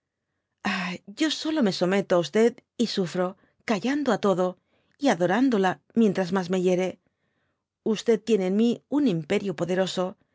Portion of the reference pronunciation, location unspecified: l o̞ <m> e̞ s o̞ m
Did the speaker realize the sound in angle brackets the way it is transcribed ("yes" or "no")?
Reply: yes